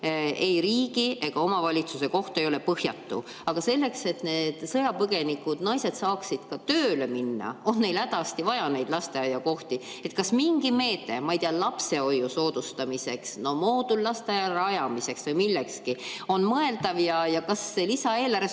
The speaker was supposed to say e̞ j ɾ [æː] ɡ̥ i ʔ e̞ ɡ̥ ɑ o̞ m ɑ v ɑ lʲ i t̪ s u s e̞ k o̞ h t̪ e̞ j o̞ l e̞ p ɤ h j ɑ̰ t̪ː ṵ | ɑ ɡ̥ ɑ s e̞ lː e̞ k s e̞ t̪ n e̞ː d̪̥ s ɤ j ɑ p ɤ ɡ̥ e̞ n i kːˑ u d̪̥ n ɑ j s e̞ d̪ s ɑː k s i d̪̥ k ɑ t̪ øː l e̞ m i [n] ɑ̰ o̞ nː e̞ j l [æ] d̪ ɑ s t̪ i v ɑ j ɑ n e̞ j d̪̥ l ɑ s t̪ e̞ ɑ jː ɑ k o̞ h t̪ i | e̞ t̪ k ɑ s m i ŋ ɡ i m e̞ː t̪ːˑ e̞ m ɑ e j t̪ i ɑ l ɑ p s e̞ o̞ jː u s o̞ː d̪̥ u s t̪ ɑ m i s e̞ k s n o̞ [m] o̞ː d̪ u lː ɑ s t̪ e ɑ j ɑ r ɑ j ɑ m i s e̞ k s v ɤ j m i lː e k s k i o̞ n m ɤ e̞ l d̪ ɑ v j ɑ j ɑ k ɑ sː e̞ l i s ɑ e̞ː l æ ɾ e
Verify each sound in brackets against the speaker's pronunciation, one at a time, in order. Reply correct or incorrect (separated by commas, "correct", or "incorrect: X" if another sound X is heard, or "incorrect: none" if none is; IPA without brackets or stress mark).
incorrect: iː, incorrect: nː, correct, correct